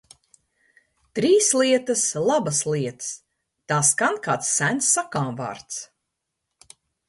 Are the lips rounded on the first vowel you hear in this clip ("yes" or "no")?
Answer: no